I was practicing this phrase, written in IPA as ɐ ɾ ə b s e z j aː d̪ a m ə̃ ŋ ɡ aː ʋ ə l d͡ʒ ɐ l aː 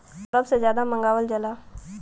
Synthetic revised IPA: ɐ ɾ ə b s e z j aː d̪ a m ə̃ ŋ ɡ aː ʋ ə l d͡ʒ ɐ l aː